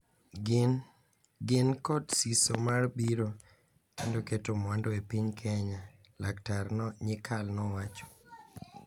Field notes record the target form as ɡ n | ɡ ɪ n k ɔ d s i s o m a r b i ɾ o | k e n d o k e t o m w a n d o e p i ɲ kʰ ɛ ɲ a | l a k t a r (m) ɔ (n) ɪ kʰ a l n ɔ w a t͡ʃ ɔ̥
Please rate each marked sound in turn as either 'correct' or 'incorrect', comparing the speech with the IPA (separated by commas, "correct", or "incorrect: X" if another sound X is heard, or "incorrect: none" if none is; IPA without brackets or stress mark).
incorrect: n, incorrect: ɲ